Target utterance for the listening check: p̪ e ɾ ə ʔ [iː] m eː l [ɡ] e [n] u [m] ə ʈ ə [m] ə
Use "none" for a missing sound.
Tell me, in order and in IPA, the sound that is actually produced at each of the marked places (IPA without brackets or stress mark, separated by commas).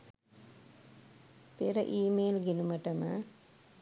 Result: iː, ɡ, n, m, m